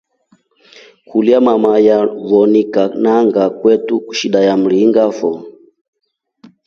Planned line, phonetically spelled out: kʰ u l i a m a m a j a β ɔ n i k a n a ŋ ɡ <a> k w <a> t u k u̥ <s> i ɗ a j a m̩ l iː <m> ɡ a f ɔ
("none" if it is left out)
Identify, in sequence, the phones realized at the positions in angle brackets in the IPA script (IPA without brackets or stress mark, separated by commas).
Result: a, ɛ, ʃ, ŋ